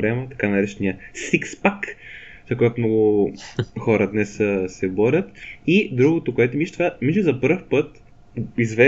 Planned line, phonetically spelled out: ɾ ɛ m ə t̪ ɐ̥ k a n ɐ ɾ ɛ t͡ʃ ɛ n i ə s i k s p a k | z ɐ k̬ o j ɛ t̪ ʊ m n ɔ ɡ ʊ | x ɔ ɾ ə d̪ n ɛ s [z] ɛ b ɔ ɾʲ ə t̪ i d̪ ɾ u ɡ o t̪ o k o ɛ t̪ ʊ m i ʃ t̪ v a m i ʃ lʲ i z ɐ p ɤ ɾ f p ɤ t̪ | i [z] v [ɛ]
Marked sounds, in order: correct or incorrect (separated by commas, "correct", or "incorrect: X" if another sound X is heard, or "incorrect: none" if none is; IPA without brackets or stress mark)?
incorrect: s, correct, correct